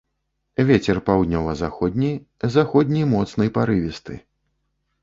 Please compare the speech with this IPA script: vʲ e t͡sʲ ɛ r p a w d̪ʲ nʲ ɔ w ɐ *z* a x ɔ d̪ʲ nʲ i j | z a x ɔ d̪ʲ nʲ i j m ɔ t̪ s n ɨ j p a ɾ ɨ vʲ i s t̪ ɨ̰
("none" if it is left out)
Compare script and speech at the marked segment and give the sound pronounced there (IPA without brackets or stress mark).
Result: z